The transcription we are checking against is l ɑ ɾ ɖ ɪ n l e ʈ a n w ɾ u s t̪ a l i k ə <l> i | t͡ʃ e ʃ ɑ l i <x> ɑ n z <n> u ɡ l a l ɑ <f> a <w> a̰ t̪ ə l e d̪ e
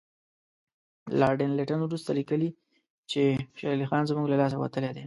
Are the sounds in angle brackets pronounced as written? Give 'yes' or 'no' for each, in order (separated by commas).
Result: yes, yes, no, no, yes